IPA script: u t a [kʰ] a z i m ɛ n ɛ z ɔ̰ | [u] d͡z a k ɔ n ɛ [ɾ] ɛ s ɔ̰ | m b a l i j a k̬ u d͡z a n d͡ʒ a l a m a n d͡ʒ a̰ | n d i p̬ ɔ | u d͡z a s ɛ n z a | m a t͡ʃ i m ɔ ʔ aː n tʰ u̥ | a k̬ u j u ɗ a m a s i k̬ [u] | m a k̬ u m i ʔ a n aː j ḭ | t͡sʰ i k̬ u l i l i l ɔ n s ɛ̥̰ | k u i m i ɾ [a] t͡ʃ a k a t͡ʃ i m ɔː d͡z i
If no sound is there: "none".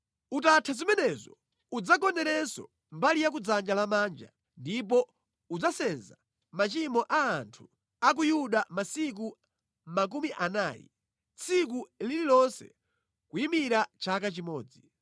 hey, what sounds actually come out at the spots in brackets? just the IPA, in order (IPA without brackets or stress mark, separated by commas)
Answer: tʰ, u, ɾ, u, a